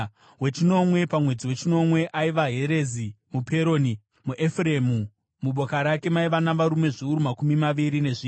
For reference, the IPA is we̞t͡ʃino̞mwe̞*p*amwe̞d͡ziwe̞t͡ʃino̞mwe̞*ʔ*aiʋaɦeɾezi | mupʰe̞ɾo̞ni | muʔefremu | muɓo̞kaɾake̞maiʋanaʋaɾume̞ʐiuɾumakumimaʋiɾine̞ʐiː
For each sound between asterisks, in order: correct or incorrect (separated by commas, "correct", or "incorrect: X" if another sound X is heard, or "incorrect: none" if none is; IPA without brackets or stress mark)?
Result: correct, correct